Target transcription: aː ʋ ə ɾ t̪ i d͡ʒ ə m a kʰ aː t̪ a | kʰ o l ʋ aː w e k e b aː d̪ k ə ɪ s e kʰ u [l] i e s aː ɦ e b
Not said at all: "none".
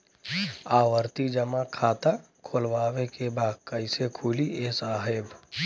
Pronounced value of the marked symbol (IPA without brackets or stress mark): l